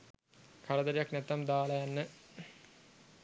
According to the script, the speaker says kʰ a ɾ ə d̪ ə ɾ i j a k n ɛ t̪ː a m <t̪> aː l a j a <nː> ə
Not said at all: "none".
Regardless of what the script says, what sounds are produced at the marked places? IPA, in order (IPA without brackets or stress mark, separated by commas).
d̪, nː